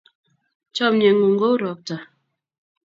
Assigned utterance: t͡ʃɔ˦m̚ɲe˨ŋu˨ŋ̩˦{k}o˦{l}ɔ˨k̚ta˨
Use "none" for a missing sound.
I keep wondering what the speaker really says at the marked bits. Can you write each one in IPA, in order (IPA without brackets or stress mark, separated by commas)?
ɡ, ɾ